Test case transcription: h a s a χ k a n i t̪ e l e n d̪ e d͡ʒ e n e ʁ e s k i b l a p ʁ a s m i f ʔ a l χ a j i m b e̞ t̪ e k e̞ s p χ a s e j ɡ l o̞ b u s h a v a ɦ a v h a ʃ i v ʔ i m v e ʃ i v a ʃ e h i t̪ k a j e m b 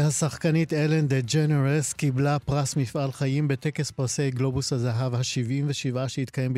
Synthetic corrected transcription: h a s a χ k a n i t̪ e l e n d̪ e d͡ʒ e n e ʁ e s k i b l a p ʁ a s m i f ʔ a l χ a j i m b e̞ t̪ e k e̞ s p ʁ a s e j ɡ l o̞ b u s h a z a ɦ a v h a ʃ i v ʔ i m v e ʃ i v a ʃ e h i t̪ k a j e m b